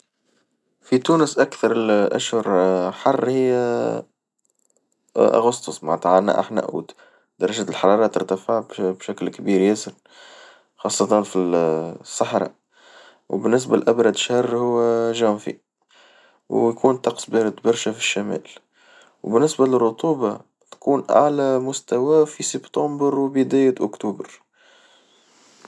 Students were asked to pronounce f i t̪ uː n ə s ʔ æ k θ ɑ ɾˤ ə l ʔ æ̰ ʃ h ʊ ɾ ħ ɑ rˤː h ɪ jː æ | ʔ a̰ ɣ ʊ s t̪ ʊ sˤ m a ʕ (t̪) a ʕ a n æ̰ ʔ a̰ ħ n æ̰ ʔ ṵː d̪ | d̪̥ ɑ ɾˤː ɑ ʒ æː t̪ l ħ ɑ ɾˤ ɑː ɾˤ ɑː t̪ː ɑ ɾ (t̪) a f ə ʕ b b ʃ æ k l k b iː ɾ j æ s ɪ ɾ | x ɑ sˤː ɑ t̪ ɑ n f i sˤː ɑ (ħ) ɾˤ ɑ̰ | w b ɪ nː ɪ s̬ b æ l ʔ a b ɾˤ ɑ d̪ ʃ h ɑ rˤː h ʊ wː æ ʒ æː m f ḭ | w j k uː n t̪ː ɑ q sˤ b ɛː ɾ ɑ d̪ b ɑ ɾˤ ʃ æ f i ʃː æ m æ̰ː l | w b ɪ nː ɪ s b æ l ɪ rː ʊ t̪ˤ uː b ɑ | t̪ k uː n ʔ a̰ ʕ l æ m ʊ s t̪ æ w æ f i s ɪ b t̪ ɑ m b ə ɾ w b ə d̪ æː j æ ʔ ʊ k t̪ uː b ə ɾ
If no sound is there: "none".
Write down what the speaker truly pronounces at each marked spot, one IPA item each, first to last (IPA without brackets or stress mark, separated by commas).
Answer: t̪, t̪, ħ